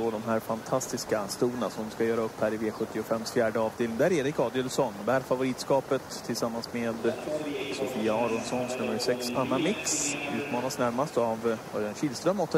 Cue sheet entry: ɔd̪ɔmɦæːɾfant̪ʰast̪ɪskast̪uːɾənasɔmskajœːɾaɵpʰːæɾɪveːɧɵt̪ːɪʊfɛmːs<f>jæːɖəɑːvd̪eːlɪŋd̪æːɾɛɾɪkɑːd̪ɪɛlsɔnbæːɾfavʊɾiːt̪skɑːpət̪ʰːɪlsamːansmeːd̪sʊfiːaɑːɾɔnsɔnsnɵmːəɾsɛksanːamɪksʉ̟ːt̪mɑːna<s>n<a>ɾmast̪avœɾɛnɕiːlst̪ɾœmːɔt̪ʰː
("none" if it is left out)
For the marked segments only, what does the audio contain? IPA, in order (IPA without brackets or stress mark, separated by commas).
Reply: f, s, æ